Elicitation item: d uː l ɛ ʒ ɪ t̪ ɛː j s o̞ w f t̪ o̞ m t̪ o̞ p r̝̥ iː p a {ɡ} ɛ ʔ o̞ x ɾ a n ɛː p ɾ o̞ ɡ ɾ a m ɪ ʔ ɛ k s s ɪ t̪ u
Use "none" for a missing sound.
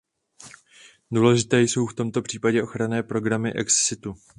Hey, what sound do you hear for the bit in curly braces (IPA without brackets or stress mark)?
ɟ